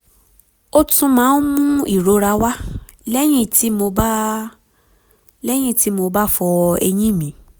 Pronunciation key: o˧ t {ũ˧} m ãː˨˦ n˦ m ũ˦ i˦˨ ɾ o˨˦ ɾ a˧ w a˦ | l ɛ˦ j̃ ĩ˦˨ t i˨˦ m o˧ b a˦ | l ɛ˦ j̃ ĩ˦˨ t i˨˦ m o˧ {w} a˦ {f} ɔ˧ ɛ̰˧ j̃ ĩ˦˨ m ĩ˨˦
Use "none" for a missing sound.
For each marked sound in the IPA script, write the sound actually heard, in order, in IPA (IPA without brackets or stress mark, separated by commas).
ũ˧, b, f